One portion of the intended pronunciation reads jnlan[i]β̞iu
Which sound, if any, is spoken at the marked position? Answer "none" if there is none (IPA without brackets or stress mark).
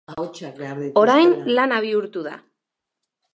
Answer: a